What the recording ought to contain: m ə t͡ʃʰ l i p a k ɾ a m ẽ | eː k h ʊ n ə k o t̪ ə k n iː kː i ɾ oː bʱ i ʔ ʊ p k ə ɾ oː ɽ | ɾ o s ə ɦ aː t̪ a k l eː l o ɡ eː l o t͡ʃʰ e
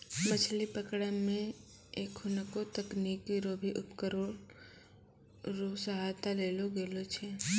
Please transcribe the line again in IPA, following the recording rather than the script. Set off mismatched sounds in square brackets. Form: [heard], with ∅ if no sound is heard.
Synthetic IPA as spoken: m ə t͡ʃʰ l i p [ə] k [ɽ] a m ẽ | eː k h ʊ n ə k o t̪ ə k n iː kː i ɾ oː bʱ i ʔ ʊ p k ə ɾ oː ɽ | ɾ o s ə ɦ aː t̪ a [∅] l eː l o ɡ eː l o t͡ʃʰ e